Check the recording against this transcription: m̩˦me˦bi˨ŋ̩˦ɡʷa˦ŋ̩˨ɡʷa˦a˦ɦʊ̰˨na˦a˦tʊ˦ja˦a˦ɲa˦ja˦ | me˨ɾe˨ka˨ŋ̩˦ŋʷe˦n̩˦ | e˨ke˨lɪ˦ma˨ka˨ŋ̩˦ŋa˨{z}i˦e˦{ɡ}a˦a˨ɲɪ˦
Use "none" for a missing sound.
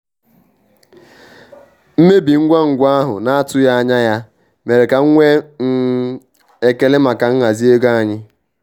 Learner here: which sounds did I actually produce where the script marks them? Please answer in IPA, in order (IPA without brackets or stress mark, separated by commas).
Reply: z, ɡ